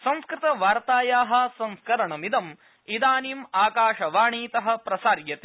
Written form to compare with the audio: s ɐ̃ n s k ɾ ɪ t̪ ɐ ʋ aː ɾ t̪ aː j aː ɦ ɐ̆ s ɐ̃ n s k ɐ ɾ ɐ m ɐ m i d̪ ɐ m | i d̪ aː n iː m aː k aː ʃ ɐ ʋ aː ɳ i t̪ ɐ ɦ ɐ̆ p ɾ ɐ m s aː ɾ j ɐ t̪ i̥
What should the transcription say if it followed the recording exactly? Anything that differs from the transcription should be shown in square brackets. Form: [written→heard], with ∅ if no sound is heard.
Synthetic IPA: s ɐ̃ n s k ɾ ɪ t̪ ɐ ʋ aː ɾ t̪ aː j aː ɦ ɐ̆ s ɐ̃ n s k ɐ ɾ ɐ [m→ɳ] ɐ m i d̪ ɐ m | i d̪ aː n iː m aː k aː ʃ ɐ ʋ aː ɳ [i→iː] t̪ ɐ ɦ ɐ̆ p ɾ ɐ [m→∅] s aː ɾ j ɐ t̪ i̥